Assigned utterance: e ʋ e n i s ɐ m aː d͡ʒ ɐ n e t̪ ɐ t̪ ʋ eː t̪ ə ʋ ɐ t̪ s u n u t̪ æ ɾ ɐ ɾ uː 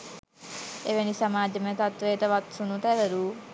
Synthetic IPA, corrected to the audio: e ʋ e n i s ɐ m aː d͡ʒ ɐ m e t̪ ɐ t̪ ʋ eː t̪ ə ʋ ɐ t̪ s u n u t̪ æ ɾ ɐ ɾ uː